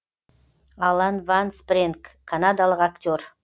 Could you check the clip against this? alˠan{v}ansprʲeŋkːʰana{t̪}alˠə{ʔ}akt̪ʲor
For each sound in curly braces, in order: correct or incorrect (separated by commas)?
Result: correct, incorrect, incorrect